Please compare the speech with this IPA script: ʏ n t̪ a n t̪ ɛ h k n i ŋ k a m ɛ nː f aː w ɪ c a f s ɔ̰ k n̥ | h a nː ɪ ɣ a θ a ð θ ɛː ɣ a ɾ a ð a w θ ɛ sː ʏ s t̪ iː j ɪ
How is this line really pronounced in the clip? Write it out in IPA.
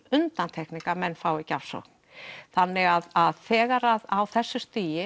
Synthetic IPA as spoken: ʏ n t̪ a n t̪ʰ ɛ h k n i ŋ k a m ɛ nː f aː w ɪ c a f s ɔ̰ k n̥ | θ a nː ɪ ɣ a ð a ð θ ɛː ɣ a ɾ a ð a w θ ɛ sː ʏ s t̪ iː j ɪ